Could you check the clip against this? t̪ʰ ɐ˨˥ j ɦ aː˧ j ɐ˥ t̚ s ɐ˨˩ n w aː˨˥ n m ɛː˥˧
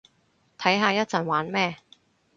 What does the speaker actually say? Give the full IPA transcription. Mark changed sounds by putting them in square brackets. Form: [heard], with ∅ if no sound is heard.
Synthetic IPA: t̪ʰ ɐ˨˥ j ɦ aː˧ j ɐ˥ t̚ [t͡s] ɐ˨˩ n w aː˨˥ n m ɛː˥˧